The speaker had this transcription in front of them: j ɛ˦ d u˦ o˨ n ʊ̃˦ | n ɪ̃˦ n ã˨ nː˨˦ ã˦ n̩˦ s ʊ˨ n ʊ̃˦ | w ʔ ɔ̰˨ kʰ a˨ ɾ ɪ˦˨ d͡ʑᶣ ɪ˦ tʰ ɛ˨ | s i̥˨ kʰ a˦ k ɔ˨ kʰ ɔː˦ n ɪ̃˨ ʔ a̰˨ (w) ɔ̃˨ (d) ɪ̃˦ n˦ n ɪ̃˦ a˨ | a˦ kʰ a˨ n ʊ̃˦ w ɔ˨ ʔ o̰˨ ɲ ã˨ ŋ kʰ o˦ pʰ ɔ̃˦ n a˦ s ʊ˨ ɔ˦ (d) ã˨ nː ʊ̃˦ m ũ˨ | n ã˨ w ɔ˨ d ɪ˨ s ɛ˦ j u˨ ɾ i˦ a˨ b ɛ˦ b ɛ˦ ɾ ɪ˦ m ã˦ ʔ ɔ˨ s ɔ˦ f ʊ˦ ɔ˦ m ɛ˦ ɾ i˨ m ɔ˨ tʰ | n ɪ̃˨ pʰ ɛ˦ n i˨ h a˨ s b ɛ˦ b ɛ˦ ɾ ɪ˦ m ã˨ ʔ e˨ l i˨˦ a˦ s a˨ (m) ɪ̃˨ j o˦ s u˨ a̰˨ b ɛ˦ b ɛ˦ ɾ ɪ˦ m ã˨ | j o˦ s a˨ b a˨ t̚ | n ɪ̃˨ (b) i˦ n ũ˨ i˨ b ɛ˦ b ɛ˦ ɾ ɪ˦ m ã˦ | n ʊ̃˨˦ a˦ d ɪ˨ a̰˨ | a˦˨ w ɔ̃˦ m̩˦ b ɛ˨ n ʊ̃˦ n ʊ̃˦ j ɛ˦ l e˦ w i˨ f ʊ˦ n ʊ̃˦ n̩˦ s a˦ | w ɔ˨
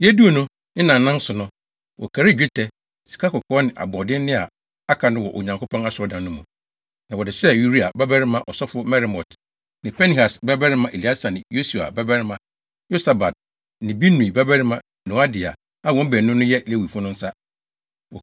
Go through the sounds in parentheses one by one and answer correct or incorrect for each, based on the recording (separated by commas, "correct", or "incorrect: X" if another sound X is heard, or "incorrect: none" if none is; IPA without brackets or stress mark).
incorrect: b, correct, correct, incorrect: n, correct